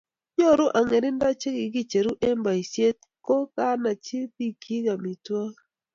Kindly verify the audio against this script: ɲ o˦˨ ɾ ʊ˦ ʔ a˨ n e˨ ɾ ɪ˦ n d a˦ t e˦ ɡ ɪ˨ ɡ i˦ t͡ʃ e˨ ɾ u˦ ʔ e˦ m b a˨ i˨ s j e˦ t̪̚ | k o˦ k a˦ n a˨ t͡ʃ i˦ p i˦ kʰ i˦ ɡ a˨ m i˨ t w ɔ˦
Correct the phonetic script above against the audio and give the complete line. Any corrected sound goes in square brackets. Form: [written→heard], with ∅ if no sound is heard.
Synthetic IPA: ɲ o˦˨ ɾ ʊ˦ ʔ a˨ [n→ŋ] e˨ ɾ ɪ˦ n d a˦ [t→t͡ʃ] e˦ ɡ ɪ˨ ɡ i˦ t͡ʃ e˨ ɾ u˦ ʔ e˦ m b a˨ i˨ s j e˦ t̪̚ | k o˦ k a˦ n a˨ t͡ʃ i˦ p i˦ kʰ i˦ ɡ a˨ m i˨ t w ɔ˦